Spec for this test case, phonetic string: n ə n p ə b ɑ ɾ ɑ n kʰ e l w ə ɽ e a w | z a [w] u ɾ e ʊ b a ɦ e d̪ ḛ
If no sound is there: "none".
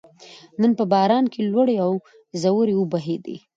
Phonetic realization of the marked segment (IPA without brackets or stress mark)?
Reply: w